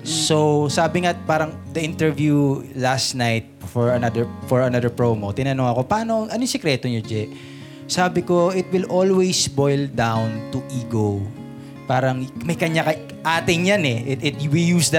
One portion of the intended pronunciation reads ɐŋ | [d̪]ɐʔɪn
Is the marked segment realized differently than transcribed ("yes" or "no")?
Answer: no